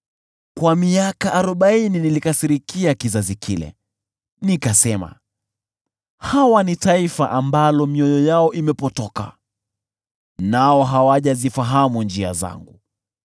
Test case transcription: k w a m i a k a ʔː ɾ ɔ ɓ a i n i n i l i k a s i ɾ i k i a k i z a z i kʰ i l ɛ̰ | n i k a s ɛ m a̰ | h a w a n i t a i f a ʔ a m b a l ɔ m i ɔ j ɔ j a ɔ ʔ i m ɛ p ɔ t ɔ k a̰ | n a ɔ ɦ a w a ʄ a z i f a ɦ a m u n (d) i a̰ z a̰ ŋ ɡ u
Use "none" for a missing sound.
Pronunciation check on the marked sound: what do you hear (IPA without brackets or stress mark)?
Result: d͡ʒ